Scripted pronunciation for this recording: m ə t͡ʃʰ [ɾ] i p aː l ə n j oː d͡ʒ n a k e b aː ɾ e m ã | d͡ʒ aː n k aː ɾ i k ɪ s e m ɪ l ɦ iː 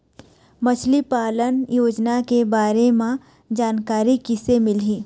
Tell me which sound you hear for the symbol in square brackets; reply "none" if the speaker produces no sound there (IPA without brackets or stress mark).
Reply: l